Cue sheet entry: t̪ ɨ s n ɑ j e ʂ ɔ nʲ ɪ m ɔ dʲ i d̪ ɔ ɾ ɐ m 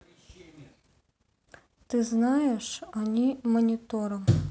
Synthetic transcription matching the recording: t̪ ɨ z n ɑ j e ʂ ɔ nʲ i m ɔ nʲ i t̪ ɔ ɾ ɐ m